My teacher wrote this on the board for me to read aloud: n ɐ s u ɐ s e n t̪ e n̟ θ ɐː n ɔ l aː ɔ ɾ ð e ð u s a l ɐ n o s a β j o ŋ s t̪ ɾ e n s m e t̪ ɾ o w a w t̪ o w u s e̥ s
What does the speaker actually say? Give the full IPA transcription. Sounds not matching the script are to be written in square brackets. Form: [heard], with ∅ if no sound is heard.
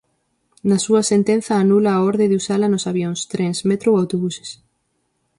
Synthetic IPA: n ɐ s u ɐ s e n t̪ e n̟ θ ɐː n [u] l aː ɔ ɾ ð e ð u s a l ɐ n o s a β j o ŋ s t̪ ɾ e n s m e t̪ ɾ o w a w t̪ o [β] u s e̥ s